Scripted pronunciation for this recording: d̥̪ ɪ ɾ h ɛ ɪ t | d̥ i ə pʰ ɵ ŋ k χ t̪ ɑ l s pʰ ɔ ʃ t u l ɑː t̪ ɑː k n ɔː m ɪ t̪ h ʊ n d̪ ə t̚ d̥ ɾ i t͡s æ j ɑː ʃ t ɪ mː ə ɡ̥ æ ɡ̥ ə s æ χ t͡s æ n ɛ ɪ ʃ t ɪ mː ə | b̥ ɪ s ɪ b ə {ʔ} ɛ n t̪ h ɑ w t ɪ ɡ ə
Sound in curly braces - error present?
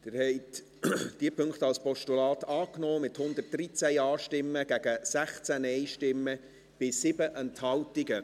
no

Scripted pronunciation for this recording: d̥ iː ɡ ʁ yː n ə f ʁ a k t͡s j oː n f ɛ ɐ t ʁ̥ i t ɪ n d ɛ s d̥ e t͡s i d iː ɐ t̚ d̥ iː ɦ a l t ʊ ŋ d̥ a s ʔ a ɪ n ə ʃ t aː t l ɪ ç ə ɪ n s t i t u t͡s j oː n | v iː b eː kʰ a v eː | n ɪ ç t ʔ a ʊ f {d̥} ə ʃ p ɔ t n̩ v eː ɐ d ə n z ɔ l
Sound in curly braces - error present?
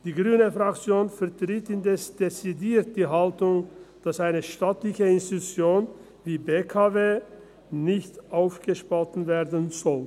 yes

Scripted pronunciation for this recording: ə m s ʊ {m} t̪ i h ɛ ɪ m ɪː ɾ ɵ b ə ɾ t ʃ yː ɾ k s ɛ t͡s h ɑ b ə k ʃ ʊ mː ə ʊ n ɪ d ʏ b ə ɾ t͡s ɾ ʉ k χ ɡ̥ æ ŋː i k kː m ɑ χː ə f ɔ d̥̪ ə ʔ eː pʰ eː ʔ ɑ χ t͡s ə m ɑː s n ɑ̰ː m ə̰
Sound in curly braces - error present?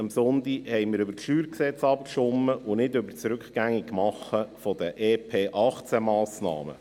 yes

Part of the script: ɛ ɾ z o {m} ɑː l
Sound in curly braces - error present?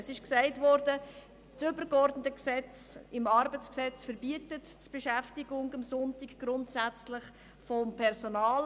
yes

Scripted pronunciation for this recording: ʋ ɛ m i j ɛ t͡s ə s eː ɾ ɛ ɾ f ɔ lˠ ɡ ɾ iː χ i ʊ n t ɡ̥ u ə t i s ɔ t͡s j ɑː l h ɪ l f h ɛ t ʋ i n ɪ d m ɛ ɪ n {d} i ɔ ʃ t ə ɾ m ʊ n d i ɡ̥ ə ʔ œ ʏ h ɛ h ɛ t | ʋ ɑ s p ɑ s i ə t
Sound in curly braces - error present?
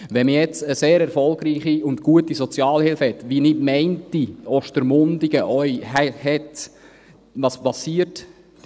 yes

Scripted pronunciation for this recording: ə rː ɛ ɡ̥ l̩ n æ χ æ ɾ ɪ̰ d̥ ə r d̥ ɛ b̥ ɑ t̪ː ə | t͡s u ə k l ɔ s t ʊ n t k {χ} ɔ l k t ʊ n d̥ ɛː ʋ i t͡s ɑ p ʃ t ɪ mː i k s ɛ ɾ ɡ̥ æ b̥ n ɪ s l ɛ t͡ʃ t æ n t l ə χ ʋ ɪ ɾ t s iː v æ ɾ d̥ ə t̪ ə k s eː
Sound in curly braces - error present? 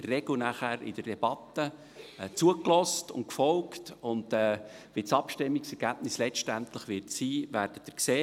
yes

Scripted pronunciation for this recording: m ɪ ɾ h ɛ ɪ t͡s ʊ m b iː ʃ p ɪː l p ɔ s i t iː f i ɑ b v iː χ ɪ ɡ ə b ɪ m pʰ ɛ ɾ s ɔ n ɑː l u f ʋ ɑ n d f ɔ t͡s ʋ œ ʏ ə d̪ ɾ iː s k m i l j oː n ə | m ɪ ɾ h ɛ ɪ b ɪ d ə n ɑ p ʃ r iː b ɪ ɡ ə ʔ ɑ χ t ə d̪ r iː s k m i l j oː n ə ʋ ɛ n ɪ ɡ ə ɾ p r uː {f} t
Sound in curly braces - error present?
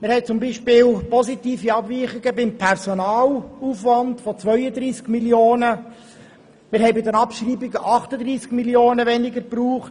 yes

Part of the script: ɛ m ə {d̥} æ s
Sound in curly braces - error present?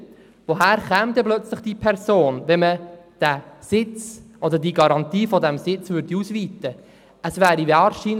no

